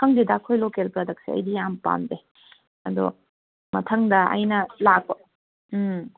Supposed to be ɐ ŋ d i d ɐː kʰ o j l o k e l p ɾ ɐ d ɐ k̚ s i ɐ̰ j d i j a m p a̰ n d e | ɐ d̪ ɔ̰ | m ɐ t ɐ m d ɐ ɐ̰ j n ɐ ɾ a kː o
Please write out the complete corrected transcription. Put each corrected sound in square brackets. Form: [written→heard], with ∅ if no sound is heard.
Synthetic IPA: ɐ ŋ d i d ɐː kʰ o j l o k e l p ɾ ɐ d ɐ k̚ s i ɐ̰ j d i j a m p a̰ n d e | ɐ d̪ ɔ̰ | m ɐ [t→tʰ] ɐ [m→ŋ] d ɐ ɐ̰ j n ɐ [ɾ→l] a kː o